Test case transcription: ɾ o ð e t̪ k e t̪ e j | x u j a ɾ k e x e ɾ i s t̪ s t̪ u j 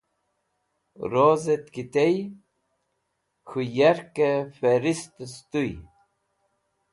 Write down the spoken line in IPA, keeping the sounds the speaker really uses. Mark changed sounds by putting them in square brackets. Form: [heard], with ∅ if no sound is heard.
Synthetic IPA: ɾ o [z] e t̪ k [i] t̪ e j | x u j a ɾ k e [f] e ɾ i s t̪ s t̪ u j